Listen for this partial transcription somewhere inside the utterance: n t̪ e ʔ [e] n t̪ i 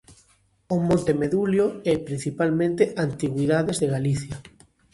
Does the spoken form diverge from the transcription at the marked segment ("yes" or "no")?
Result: yes